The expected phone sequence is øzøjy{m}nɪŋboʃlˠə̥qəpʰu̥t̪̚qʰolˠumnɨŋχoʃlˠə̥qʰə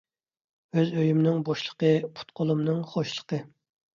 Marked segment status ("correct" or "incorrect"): correct